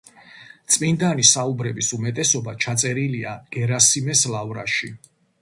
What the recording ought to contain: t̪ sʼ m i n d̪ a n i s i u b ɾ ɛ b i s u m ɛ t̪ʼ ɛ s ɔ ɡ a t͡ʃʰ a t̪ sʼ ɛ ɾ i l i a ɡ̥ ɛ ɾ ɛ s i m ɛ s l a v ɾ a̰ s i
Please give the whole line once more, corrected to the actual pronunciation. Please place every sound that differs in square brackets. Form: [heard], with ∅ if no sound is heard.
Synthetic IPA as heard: t̪ sʼ m i n d̪ a n i s [a] u b ɾ ɛ b i s u m ɛ t̪ʼ ɛ s ɔ [b] a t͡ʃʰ a t̪ sʼ ɛ ɾ i l i a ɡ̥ ɛ ɾ [a] s i m ɛ s l a v ɾ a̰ [ʃ] i